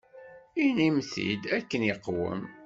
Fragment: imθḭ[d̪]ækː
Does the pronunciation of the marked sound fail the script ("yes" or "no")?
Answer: no